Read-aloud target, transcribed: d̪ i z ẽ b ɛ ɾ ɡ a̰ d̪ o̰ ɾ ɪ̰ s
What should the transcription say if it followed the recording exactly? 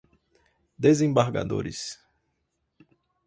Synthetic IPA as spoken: d̪ e z ẽ b a ɾ ɡ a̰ d̪ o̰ ɾ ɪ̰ s